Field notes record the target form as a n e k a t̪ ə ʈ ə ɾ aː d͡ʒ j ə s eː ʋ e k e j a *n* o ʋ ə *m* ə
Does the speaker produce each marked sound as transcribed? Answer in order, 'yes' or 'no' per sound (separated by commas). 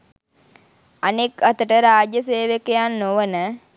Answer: no, no